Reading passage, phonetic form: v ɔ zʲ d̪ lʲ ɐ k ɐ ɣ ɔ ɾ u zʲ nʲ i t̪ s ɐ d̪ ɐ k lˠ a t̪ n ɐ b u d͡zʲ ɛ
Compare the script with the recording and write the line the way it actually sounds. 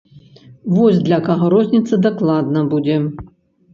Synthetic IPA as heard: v ɔ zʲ d̪ lʲ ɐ k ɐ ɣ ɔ ɾ ɔ zʲ nʲ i t̪ s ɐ d̪ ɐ k lˠ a d̪ n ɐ b u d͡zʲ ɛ